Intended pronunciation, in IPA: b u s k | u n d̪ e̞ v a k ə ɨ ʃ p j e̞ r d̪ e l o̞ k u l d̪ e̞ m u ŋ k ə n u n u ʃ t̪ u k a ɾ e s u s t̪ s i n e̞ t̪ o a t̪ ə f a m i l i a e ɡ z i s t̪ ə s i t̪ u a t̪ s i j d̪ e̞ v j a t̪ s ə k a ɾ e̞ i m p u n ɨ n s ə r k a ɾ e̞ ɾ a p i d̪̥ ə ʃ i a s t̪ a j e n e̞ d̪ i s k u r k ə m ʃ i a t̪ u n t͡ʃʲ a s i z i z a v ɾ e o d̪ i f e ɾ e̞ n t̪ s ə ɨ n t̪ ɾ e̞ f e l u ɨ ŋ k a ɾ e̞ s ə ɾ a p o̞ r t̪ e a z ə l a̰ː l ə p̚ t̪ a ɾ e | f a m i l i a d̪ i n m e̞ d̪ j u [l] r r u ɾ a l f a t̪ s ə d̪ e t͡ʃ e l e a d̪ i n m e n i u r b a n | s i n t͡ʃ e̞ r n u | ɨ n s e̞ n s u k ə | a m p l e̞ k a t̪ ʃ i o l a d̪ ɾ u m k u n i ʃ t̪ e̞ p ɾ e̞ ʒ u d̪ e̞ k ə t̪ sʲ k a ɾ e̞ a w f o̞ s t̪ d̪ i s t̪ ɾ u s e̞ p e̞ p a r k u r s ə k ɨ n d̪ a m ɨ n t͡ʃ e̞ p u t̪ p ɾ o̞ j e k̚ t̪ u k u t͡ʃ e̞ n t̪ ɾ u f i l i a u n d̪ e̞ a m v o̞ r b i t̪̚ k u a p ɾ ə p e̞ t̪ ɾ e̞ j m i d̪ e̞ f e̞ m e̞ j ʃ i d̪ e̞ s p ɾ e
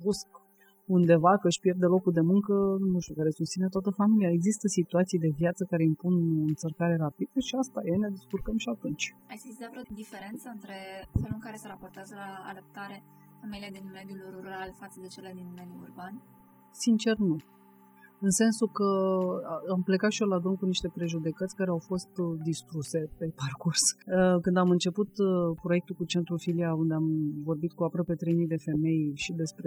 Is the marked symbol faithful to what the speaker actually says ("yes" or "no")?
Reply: yes